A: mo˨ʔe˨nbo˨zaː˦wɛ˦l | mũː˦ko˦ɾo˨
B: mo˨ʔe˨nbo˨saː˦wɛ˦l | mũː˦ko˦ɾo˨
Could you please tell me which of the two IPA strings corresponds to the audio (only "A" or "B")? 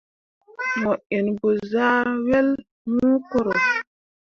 A